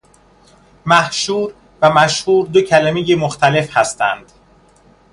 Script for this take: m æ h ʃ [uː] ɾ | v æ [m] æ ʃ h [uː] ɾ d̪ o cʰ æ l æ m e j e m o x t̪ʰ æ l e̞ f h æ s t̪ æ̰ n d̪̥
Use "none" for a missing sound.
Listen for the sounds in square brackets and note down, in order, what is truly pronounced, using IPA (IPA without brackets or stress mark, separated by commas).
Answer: uː, m, uː